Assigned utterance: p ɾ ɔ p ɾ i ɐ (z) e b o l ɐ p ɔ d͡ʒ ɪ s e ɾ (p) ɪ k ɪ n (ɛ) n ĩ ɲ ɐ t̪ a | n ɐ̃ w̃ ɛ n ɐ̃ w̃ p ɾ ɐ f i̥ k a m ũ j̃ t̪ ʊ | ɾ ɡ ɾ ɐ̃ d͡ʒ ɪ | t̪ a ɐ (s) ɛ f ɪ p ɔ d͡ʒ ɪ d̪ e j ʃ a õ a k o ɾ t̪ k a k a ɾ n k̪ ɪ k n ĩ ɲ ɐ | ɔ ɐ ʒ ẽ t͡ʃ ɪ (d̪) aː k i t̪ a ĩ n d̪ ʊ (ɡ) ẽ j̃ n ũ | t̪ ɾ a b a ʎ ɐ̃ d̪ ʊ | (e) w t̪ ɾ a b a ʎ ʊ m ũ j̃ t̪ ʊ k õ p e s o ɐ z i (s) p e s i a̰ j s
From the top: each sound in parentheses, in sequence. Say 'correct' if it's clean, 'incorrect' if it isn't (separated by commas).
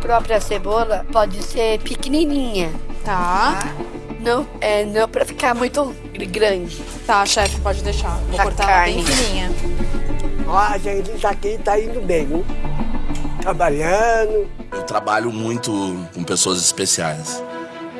incorrect, correct, incorrect, incorrect, incorrect, incorrect, correct, correct